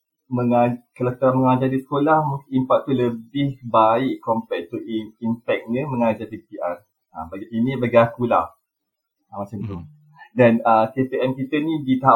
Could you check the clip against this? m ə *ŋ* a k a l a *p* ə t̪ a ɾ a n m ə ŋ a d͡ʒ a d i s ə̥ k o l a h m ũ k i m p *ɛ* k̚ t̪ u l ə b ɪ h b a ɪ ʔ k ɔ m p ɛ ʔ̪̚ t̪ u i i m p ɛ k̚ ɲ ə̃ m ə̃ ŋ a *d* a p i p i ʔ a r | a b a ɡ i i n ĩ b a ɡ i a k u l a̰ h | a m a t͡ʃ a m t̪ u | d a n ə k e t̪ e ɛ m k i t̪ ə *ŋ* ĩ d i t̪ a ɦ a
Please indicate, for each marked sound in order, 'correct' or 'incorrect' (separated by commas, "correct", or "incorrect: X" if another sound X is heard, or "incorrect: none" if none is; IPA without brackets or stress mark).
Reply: correct, incorrect: k, incorrect: a, incorrect: d͡ʒ, incorrect: n